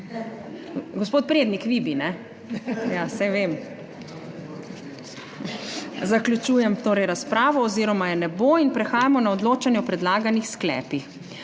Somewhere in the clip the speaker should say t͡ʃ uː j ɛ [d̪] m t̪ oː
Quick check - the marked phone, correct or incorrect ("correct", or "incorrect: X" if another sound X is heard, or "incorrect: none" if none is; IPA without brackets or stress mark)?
incorrect: none